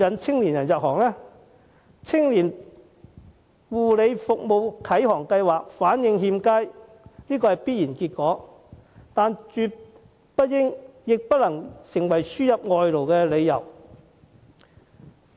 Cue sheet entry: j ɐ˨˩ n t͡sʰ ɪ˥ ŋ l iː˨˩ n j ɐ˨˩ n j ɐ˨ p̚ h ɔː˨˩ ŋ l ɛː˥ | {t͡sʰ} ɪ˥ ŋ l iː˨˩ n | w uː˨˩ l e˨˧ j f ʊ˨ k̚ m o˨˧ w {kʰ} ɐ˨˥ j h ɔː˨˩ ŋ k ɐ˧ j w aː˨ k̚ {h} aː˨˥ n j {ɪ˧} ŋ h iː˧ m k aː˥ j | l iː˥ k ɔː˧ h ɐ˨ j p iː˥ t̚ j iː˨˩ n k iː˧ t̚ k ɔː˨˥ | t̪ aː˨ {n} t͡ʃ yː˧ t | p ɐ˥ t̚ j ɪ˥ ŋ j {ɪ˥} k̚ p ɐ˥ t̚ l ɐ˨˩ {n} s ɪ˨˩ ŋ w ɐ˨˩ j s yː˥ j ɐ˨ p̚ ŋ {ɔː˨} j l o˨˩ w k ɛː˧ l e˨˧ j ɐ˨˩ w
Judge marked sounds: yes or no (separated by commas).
yes, yes, no, yes, yes, no, no, yes